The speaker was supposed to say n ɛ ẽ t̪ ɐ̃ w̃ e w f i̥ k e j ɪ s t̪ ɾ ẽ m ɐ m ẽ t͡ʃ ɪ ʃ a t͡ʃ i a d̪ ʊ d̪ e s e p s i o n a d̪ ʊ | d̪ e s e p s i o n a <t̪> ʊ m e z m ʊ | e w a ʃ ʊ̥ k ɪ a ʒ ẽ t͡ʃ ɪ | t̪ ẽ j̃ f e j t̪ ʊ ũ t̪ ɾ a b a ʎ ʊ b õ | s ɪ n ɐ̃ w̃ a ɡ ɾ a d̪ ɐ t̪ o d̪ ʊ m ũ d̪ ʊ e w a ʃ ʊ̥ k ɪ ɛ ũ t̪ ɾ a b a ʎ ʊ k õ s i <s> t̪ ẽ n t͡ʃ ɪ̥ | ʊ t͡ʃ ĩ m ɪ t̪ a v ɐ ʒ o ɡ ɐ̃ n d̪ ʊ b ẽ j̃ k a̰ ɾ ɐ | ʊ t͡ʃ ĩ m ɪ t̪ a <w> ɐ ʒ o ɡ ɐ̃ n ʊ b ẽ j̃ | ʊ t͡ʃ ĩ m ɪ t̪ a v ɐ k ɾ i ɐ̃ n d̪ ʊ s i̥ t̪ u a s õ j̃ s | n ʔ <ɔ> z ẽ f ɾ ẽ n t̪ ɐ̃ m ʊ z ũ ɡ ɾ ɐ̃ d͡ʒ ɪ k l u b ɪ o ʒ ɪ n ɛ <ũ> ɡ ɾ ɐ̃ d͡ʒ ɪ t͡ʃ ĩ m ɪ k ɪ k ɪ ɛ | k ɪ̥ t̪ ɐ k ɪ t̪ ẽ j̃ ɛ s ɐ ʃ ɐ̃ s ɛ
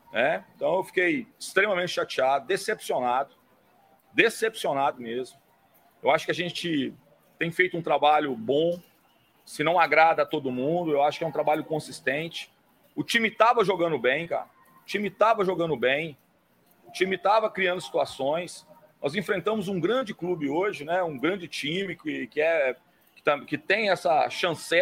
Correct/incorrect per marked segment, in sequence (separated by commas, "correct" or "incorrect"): incorrect, correct, incorrect, correct, correct